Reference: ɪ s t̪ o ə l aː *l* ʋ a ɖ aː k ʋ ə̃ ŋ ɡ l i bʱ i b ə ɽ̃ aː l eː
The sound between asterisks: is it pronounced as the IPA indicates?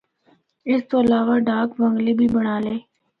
no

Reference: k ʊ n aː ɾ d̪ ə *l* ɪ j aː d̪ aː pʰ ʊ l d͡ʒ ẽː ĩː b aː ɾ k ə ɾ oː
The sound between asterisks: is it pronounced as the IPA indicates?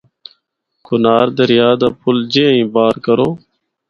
no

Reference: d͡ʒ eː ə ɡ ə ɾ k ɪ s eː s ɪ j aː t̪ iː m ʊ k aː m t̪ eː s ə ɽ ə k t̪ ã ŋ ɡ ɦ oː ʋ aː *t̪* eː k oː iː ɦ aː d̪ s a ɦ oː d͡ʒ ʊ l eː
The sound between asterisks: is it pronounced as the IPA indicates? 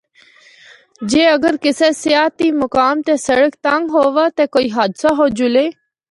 yes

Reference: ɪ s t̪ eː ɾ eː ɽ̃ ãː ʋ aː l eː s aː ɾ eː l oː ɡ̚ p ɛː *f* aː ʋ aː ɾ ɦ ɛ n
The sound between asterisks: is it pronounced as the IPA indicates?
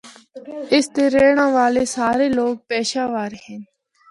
no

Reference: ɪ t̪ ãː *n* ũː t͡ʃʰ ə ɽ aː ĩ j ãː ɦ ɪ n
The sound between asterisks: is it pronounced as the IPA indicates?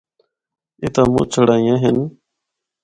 no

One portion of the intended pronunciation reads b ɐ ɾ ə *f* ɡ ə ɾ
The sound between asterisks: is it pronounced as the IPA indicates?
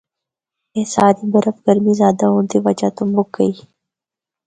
yes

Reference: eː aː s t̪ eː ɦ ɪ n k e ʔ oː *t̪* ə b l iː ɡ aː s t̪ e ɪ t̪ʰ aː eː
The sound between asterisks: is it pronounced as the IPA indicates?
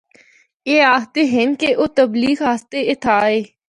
yes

